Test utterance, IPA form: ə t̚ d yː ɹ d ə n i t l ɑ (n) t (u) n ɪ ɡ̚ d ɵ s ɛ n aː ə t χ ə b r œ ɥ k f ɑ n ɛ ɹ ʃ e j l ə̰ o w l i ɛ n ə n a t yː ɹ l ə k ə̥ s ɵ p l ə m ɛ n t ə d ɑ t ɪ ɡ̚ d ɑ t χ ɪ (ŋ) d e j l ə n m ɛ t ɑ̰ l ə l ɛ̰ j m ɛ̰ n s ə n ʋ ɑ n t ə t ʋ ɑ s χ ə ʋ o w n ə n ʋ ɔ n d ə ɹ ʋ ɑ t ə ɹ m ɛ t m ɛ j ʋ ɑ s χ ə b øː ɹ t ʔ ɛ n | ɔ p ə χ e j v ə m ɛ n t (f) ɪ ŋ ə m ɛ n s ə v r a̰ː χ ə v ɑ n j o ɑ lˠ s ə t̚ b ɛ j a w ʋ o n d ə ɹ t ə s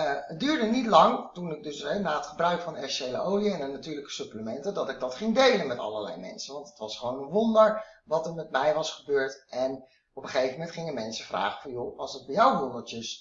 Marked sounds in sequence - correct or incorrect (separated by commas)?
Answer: incorrect, correct, correct, incorrect